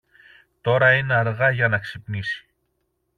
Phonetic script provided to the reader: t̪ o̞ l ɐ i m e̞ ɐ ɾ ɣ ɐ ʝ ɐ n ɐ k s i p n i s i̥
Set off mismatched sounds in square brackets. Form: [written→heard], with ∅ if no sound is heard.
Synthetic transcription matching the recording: t̪ o̞ [l→ɾ] ɐ i [m→n] e̞ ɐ ɾ ɣ ɐ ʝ ɐ n ɐ k s i p n i s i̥